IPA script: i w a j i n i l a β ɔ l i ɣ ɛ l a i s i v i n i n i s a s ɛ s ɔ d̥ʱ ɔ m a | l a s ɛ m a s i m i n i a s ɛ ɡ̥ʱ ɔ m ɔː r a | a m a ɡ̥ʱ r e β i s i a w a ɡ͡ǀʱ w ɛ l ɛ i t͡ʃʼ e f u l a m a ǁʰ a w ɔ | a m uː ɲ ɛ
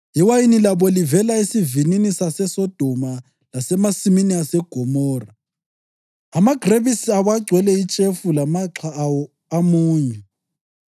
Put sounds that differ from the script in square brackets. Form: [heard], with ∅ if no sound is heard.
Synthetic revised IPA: i w a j i n i l a β ɔ l i [v] ɛ l a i s i v i n i n i s a s ɛ s ɔ d̥ʱ ɔ m a | l a s ɛ m a s i m i n i a s ɛ ɡ̥ʱ ɔ m ɔː r a | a m a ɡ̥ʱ r e β i s i a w a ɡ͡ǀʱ w ɛ l ɛ i t͡ʃʼ e f u l a m a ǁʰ a w ɔ | a m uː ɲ ɛ